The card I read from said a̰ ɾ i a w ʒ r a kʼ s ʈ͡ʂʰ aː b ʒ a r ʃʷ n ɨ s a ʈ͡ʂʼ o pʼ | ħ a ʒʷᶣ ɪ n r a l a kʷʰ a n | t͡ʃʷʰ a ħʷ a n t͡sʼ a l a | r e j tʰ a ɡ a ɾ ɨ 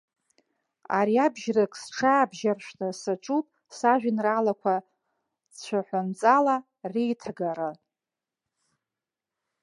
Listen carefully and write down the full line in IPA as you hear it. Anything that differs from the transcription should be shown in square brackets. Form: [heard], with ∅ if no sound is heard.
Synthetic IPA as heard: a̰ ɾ i a [b] ʒ r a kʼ s ʈ͡ʂʰ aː b ʒ a r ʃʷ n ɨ s a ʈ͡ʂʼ [u] pʼ | [s] a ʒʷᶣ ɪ n r a l a kʷʰ a [∅] | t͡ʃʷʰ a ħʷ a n t͡sʼ a l a | r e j tʰ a ɡ a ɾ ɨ